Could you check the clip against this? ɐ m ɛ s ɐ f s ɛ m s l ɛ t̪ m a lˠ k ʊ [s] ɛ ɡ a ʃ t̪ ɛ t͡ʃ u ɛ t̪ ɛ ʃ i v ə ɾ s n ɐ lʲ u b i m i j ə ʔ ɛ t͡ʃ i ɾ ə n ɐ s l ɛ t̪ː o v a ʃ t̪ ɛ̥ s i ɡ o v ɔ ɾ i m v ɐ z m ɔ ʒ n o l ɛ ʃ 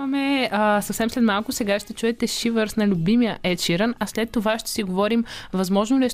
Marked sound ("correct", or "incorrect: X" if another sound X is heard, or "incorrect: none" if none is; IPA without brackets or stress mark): correct